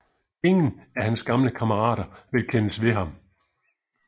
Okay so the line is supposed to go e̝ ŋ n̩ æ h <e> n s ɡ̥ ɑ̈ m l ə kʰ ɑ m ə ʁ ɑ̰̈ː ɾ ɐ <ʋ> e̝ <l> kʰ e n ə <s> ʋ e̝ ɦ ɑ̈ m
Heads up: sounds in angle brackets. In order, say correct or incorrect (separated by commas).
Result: incorrect, correct, correct, correct